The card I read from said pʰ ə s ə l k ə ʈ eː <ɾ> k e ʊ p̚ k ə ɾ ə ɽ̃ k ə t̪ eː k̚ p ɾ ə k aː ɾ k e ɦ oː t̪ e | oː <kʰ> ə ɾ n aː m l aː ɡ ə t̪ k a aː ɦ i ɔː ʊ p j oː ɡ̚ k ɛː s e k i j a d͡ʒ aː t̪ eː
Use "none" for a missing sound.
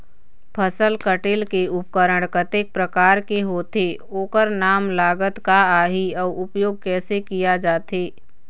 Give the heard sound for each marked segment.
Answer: l, k

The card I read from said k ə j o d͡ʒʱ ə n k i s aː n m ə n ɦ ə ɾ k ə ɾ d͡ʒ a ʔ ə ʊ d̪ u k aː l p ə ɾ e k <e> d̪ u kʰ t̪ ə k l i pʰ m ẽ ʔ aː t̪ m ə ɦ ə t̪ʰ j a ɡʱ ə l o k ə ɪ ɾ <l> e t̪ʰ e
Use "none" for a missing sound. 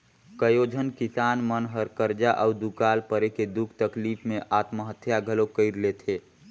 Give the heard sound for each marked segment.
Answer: e, l

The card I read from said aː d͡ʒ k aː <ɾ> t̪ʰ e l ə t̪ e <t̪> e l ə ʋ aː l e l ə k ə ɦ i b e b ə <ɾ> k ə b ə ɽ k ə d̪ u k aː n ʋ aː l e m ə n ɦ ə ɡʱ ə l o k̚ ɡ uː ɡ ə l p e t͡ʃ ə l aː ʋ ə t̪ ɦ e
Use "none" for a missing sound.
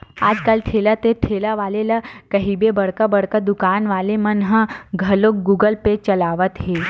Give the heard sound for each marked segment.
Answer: l, t̪ʰ, ɽ

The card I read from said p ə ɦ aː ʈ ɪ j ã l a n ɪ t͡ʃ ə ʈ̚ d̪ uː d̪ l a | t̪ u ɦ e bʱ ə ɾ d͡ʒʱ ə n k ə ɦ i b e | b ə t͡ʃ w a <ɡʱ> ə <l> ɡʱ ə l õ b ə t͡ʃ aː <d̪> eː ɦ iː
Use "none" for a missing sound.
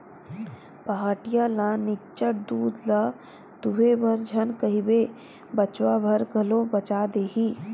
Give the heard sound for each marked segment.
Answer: bʱ, ɾ, d̪

